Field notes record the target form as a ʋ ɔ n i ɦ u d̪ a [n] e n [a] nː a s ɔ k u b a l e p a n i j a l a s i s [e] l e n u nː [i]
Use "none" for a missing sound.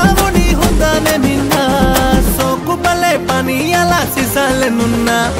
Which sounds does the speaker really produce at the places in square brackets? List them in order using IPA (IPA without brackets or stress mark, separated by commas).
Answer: n, i, a, a